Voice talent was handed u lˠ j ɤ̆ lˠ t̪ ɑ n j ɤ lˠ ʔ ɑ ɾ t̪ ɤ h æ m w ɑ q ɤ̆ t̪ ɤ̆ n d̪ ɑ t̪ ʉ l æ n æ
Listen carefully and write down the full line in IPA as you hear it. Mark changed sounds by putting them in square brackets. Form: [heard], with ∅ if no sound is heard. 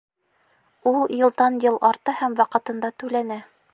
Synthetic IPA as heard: u lˠ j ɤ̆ lˠ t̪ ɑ n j ɤ lˠ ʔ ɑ ɾ t̪ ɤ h æ m w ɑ q ɤ̆ t̪ ɤ̆ n d̪ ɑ t̪ ʉ l æ n æ

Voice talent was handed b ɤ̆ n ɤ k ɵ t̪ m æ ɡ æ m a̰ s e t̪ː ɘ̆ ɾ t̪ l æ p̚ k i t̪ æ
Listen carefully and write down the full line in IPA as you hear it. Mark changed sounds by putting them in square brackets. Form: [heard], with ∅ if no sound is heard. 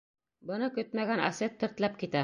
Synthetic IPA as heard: b ɤ̆ n ɤ k ɵ t̪ m æ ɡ æ [n] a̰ s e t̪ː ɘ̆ ɾ t̪ l æ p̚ k i t̪ æ

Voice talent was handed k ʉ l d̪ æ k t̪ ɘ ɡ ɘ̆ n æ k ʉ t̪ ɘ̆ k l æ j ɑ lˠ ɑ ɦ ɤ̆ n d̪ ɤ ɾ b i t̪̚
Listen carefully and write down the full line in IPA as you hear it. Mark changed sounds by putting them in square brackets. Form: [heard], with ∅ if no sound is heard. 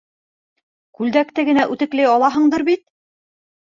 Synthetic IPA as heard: k ʉ l d̪ æ k t̪ ɘ ɡ ɘ̆ n æ [ʔ] ʉ t̪ ɘ̆ k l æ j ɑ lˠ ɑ ɦ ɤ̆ [ɴ] d̪ ɤ ɾ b i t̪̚

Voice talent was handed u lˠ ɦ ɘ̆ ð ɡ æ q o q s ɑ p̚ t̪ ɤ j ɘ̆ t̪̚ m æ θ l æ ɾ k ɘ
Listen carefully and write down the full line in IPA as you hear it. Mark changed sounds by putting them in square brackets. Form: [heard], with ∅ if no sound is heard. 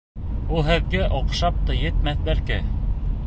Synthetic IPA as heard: u lˠ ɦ ɘ̆ ð ɡ æ [ʔ] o q [ʃ] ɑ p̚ t̪ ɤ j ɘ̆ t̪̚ m æ θ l æ ɾ k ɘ

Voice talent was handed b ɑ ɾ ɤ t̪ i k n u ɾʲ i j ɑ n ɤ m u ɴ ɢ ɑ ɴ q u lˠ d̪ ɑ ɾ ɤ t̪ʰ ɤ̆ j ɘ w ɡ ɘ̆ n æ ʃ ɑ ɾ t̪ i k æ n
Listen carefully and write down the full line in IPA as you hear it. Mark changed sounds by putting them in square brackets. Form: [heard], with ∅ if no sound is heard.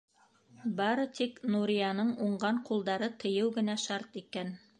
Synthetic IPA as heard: b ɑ ɾ ɤ t̪ i k n u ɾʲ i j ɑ n ɤ [ɴ] u ɴ ɢ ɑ ɴ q u lˠ d̪ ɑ ɾ ɤ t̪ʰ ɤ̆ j ɘ w ɡ ɘ̆ n æ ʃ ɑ ɾ t̪ i k æ n

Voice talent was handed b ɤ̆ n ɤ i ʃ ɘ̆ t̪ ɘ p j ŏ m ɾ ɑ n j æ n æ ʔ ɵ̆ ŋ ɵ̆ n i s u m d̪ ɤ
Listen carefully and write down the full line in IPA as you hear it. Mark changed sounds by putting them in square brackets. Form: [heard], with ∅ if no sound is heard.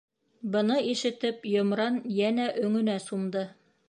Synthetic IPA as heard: b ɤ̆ n ɤ i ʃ ɘ̆ t̪ ɘ p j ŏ m ɾ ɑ n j æ n æ ʔ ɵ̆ ŋ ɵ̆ n [æ] s u m d̪ ɤ

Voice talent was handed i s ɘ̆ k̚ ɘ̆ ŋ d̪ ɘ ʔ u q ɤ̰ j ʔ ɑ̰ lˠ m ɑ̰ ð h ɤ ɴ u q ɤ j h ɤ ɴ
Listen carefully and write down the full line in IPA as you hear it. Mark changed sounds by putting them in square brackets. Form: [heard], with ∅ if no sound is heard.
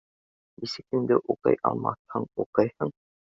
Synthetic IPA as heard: i s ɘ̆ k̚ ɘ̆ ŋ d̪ ɘ ʔ u q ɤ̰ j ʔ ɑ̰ lˠ m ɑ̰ [θ] h ɤ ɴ u q ɤ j h ɤ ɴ

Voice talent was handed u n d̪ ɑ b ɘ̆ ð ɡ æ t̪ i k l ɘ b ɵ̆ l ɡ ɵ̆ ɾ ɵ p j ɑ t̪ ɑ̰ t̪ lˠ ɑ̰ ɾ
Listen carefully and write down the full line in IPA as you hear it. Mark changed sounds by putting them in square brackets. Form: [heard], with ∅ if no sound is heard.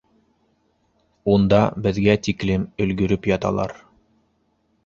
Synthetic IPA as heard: u n d̪ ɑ b ɘ̆ ð ɡ æ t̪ i k l ɘ [m] ɵ̆ l ɡ ɵ̆ ɾ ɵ p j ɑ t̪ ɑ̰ [∅] lˠ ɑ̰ ɾ

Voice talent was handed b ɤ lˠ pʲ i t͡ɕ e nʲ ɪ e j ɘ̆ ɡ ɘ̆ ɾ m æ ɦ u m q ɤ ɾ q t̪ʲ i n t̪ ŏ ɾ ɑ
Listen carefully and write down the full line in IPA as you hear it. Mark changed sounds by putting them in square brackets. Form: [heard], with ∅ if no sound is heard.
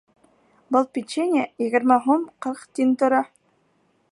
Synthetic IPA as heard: b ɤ lˠ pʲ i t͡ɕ e nʲ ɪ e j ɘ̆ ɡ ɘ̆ ɾ m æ ɦ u m q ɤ ɾ q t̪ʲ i n t̪ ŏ ɾ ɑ

